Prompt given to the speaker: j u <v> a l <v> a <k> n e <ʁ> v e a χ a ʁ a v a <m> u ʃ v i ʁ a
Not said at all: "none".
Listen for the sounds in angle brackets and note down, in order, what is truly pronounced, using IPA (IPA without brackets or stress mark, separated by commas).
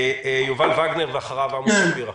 v, v, ɡ, ʁ, m